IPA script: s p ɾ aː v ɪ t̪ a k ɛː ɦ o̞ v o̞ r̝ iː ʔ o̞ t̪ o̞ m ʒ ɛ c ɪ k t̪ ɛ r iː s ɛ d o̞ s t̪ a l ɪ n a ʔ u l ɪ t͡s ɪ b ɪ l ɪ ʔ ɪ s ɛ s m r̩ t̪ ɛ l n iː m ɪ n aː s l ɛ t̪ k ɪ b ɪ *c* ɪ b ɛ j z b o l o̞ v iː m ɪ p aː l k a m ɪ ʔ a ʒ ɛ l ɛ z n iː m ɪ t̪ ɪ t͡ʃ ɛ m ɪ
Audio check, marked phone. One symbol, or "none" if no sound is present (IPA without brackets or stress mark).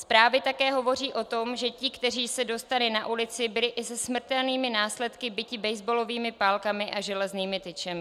c